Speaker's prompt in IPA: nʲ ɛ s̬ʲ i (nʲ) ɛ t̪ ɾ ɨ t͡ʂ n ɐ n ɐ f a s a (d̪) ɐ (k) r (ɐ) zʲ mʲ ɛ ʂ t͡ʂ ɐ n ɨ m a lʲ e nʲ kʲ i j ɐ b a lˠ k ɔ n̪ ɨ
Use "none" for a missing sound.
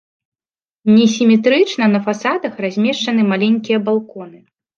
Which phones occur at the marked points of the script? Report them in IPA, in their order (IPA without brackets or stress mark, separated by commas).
mʲ, d̪, x, a